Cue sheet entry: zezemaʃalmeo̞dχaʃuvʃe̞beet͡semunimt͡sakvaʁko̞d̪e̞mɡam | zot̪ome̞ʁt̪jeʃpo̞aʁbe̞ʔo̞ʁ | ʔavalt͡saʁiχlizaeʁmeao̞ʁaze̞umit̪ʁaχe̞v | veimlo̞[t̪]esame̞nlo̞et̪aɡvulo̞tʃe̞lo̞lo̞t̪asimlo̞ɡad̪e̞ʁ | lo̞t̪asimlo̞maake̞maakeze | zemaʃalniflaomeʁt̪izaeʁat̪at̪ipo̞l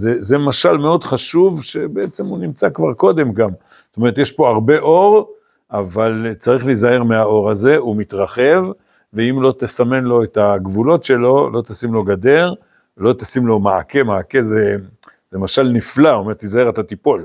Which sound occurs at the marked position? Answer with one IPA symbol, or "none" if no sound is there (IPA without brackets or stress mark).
t̪